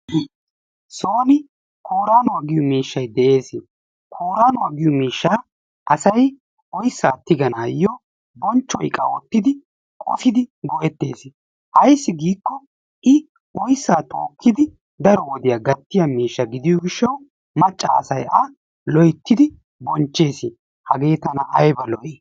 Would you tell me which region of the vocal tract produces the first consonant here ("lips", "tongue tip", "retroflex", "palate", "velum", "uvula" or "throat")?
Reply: tongue tip